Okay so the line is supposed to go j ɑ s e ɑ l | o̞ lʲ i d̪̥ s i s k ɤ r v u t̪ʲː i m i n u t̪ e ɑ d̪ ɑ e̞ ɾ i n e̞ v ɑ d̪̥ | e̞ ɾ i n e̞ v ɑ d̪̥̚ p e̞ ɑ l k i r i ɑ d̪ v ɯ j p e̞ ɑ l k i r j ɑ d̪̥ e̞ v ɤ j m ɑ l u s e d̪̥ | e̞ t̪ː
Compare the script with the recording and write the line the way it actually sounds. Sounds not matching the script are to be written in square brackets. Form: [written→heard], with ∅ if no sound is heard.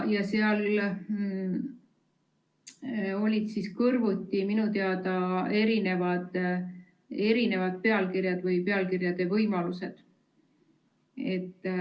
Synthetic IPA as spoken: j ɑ s e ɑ l | o̞ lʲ i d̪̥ s i s k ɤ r v u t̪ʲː i m i n u t̪ e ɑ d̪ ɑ e̞ ɾ i n e̞ v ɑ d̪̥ | e̞ ɾ i n e̞ v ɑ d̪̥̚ p e̞ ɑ l k i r [i→j] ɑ d̪ v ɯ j p e̞ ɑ l k i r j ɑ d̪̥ e̞ v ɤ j m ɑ l u s e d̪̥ | e̞ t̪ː